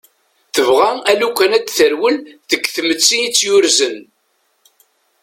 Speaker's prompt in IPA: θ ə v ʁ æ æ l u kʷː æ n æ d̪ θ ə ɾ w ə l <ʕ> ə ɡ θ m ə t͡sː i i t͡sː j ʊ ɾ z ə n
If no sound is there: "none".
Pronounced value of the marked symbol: ð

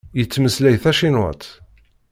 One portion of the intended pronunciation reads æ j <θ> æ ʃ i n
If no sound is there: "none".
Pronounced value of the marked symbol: θ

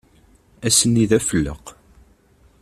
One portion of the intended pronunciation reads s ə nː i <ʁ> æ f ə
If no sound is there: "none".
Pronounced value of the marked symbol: ð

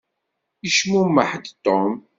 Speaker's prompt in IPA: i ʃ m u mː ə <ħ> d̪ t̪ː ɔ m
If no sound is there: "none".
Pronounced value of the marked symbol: ħ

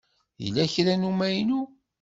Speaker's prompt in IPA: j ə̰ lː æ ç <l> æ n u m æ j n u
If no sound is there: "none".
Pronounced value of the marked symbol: ɾ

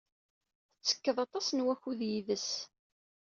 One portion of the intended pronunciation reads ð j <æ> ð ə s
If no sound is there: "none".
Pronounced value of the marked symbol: i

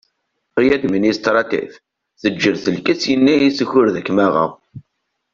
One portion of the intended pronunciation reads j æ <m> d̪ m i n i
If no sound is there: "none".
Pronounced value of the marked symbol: none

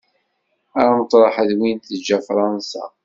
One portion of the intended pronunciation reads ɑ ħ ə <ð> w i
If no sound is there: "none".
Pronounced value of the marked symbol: ð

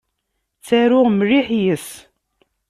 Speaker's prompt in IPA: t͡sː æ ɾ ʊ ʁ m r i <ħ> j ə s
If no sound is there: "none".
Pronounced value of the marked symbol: ħ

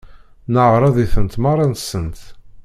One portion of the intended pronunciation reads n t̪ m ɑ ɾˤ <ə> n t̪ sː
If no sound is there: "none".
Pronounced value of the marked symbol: ɑ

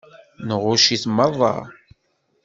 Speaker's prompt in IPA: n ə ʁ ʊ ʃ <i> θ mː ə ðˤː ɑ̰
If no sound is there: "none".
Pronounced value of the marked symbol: i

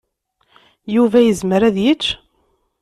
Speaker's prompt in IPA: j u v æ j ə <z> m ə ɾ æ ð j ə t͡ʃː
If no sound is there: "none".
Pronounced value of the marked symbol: z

